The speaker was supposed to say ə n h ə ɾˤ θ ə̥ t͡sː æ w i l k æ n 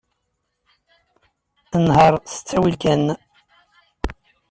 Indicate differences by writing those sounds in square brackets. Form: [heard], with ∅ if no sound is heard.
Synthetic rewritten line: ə n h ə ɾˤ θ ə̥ t͡sː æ w i l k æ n